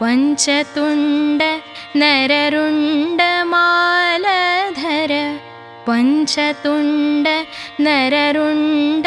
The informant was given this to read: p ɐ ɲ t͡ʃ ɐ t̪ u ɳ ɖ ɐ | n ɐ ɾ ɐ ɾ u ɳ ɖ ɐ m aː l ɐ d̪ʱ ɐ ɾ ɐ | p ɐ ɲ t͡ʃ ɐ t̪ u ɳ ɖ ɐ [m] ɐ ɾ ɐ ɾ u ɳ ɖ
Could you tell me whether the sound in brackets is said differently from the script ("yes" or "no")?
yes